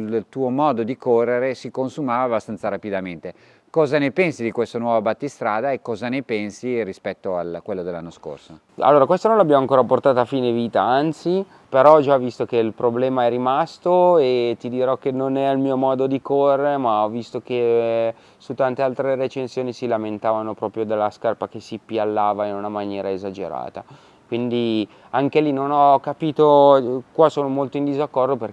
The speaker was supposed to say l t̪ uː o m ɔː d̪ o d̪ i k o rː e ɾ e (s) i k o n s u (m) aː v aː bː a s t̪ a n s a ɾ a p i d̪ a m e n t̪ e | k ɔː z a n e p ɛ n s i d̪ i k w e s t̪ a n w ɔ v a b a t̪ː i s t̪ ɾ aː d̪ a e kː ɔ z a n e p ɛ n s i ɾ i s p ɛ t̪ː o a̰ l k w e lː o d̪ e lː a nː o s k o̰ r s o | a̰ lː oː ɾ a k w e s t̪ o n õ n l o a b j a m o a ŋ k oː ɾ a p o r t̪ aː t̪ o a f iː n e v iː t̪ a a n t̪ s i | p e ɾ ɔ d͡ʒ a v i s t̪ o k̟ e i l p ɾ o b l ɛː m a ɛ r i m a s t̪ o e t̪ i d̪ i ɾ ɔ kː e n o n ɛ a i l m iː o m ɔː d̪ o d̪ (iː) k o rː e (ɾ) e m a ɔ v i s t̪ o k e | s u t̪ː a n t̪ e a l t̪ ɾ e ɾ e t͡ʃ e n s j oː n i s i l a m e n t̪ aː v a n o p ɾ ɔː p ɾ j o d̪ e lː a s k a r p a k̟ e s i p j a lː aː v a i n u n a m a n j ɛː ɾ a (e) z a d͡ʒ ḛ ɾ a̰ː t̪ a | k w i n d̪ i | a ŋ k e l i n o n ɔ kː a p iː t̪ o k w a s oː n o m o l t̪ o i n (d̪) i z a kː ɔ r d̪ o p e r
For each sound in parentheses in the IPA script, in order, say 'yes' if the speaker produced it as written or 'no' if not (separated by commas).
yes, yes, no, yes, yes, yes